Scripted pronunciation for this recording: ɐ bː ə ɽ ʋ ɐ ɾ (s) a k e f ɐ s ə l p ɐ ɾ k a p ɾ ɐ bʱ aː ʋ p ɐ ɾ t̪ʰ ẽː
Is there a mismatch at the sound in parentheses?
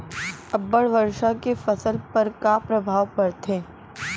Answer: yes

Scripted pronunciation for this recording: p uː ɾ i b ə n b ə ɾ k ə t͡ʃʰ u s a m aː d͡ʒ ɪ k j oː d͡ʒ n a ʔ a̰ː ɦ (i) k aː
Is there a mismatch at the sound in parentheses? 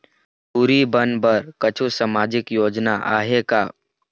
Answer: yes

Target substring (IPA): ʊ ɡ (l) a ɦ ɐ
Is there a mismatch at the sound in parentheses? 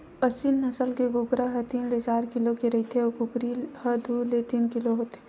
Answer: yes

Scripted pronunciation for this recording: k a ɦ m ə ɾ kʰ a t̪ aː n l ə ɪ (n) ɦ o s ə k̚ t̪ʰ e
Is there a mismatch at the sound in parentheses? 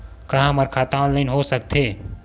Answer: no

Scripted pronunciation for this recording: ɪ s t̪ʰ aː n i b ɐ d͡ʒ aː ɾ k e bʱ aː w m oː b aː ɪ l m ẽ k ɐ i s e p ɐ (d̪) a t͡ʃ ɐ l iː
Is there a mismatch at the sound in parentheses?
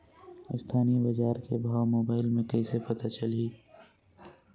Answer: yes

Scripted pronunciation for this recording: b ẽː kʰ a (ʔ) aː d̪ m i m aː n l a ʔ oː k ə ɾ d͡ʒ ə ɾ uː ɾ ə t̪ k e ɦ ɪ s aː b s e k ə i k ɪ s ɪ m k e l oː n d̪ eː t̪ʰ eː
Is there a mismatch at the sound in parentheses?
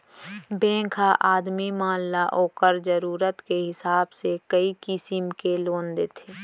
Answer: no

